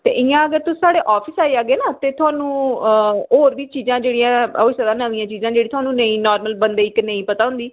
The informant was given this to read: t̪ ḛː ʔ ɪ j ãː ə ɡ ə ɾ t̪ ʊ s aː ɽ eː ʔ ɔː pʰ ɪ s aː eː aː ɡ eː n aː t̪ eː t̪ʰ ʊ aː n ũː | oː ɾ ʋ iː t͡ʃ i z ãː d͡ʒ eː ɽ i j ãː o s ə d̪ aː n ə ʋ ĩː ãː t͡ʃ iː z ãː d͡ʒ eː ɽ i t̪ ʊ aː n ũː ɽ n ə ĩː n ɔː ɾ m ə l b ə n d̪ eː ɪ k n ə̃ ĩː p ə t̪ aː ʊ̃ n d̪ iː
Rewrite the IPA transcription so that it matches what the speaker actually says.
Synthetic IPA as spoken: t̪ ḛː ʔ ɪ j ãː ə ɡ ə ɾ t̪ ʊ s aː ɽ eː ʔ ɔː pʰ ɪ s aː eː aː ɡ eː n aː t̪ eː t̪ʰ ʊ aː n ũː | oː ɾ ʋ iː t͡ʃ iː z ãː d͡ʒ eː ɽ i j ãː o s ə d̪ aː n ə ʋ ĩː ãː t͡ʃ iː z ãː d͡ʒ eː ɽ i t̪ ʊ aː n ũː n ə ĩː n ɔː ɾ m ə l b ə n d̪ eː ɪ k n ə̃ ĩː p ə t̪ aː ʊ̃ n d̪ iː

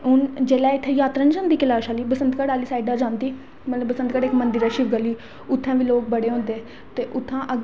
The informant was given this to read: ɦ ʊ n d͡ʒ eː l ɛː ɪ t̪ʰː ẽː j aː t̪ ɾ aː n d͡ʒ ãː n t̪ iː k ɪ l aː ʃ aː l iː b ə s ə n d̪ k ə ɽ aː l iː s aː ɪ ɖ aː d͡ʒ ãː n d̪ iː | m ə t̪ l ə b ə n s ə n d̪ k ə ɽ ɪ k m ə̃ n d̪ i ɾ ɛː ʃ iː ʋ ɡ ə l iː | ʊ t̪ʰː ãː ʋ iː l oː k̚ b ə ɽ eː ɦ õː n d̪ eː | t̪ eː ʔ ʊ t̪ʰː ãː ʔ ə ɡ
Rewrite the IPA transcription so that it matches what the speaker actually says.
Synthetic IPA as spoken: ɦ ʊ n d͡ʒ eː l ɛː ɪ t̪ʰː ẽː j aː t̪ ɾ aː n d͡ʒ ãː n d̪ iː k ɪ l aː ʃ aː l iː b ə s ə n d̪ k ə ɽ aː l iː s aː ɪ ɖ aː d͡ʒ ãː n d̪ iː | m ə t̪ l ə b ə s ə n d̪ k ə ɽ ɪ k m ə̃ n d̪ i ɾ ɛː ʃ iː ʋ ɡ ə l iː | ʊ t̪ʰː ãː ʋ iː l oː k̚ b ə ɽ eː ɦ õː n d̪ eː | t̪ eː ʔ ʊ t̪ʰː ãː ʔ ə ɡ

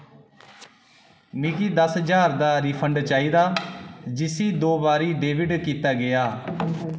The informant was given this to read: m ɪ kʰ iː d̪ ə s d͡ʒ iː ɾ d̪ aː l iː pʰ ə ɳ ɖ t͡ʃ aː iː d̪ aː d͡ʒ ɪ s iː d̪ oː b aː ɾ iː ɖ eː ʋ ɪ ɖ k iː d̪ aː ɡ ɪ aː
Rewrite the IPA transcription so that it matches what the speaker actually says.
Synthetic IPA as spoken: m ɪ k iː d̪ ə s d͡ʒ aː ɾ d̪ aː ɾ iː pʰ ə ɳ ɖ t͡ʃ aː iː d̪ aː d͡ʒ ɪ s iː d̪ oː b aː ɾ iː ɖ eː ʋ ɪ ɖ k iː t̪ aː ɡ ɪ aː

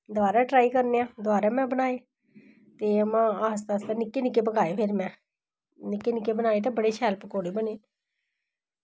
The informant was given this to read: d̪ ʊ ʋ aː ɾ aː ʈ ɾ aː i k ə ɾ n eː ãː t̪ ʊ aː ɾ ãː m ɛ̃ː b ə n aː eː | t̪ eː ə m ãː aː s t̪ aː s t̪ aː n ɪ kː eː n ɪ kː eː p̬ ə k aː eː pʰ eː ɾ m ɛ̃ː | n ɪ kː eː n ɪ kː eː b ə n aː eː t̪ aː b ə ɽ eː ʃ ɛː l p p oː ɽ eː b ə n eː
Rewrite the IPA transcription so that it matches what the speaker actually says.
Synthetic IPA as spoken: d̪ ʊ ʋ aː ɾ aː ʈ ɾ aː i k ə ɾ n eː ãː d̪ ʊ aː ɾ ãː m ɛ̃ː b ə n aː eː | t̪ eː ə m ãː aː s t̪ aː s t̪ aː n ɪ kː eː n ɪ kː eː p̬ ə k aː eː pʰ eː ɾ m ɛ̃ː | n ɪ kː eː n ɪ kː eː b ə n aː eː t̪ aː b ə ɽ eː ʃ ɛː l p k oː ɽ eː b ə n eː

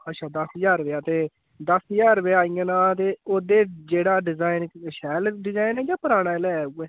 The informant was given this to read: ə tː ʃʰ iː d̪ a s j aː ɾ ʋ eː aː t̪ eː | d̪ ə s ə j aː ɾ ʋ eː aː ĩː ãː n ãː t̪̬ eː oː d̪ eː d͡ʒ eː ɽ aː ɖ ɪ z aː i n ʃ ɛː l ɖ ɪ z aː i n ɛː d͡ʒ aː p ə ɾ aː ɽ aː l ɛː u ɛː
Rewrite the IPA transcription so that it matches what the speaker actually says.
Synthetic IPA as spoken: ə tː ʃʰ aː d̪ ə s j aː ɾ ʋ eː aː t̪ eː | d̪ ə s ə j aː ɾ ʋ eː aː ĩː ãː n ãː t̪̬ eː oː d̪ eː d͡ʒ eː ɽ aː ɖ ɪ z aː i n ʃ ɛː l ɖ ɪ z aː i n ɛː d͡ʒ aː p ə ɾ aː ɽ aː l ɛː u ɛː

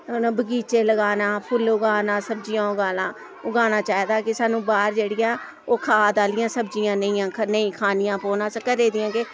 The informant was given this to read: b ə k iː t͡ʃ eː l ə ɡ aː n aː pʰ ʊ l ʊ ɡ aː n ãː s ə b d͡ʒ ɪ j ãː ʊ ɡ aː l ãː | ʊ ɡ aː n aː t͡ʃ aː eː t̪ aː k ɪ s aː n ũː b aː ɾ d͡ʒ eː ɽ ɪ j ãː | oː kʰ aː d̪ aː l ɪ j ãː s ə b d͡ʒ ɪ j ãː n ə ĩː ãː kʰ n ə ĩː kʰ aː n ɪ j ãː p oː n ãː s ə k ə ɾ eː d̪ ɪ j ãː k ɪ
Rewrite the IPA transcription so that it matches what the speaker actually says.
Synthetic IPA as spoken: b ə ɡ iː t͡ʃ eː l ə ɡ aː n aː pʰ ʊ l ʊ ɡ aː n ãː s ə b d͡ʒ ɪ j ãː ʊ ɡ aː l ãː | ʊ ɡ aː n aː t͡ʃ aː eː d̪ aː k ɪ s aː n ũː b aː ɾ d͡ʒ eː ɽ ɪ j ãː | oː kʰ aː d̪ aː l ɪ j ãː s ə b d͡ʒ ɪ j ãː n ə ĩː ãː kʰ n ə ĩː kʰ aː n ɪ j ãː p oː n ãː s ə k ə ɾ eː d̪ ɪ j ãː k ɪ

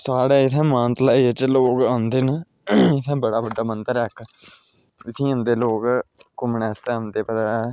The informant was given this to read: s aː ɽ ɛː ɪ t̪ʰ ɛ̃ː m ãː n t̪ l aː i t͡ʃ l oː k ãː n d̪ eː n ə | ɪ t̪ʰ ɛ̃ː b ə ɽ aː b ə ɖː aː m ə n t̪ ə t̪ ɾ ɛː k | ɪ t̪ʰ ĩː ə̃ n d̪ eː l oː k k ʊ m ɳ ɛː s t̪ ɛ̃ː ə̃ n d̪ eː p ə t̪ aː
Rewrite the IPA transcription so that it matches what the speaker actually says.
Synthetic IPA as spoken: s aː ɽ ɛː ɪ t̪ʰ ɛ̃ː m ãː n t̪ l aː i t͡ʃ l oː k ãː n d̪ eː n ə | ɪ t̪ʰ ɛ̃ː b ə ɽ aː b ə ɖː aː m ə n t̪ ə ɾ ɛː k | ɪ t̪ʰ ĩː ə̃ n d̪ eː l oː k k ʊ m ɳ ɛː s t̪ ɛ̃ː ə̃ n d̪ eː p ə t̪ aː

